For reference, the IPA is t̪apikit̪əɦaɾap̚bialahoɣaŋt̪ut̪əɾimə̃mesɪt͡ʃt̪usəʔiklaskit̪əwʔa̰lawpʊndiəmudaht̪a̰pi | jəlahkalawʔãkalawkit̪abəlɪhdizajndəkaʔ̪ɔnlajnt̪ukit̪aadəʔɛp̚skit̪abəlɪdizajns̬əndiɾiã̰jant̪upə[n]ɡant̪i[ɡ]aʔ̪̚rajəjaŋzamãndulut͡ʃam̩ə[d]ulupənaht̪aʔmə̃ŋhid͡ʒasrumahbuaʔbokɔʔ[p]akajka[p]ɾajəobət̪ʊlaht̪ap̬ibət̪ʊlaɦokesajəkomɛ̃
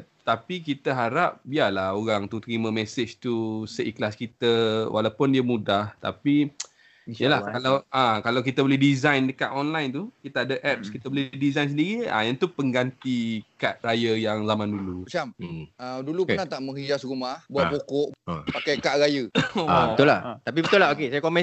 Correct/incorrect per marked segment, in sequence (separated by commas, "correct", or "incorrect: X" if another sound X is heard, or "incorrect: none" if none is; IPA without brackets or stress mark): incorrect: ŋ, incorrect: k, correct, correct, incorrect: ʔ